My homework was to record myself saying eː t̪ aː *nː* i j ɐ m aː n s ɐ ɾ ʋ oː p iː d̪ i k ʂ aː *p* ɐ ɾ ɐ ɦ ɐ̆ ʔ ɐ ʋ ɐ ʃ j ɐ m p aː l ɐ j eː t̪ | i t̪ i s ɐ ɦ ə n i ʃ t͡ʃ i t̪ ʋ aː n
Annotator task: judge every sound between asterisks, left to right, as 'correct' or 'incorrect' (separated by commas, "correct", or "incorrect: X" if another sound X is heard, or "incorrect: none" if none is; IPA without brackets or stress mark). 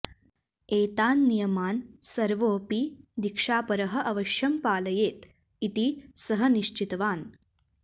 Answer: correct, correct